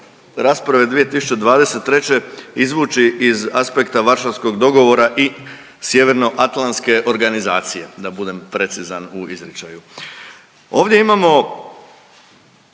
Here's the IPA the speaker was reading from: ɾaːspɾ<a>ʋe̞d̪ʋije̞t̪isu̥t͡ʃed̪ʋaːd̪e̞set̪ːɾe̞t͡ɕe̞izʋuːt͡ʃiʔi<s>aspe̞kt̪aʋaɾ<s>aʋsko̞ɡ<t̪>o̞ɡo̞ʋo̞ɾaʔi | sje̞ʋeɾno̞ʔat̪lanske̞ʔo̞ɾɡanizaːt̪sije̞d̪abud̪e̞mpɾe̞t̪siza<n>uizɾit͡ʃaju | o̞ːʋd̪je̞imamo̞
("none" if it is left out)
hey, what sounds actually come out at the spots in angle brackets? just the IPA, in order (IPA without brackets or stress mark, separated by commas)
a, z, ʃ, d̪, n